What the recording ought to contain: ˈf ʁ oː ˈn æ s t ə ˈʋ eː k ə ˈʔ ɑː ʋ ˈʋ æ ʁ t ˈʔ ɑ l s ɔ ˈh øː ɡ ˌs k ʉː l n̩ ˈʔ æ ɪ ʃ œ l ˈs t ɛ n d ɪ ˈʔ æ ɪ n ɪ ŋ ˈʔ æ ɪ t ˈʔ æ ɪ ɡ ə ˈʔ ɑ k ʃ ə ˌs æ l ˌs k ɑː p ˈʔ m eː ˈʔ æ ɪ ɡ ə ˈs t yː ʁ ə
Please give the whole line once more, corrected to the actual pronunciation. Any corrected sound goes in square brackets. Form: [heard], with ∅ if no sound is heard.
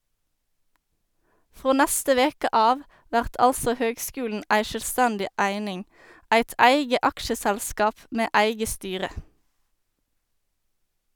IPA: ˈf ʁ oː ˈn æ s t ə ˈʋ eː k ə ˈʔ ɑː ʋ ˈʋ æ ʁ t ˈʔ ɑ l s ɔ ˈh øː ɡ ˌs k ʉː l n̩ ˈʔ æ ɪ ʃ œ l ˈs t [æ] n d ɪ ˈʔ æ ɪ n ɪ ŋ ˈʔ æ ɪ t ˈʔ æ ɪ ɡ ə ˈʔ ɑ k ʃ ə ˌs æ l ˌs k ɑː p ˈʔ m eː ˈʔ æ ɪ ɡ ə ˈs t yː ʁ ə